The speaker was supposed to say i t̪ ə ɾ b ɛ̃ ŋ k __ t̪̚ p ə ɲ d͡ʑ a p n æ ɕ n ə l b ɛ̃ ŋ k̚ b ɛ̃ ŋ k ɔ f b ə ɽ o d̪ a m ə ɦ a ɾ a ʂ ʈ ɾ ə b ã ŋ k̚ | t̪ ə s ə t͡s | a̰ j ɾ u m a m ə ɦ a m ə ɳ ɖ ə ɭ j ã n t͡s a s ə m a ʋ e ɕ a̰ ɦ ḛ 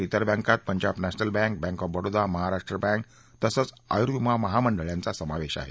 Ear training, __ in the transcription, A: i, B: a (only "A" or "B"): B